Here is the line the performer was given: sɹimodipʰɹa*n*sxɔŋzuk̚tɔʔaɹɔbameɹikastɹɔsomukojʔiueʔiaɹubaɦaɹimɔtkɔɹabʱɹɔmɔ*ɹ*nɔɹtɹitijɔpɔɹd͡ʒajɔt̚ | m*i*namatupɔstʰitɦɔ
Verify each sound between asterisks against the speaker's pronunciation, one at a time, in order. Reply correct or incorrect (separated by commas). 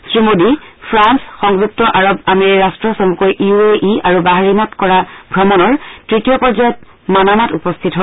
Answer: correct, incorrect, incorrect